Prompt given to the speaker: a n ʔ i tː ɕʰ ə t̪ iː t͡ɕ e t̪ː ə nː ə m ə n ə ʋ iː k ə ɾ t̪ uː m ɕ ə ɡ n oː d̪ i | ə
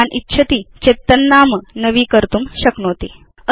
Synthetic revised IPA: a n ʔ i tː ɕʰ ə t̪ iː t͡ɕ e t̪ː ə nː a m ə n ə ʋ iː k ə ɾ t̪ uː m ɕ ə k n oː t̪ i | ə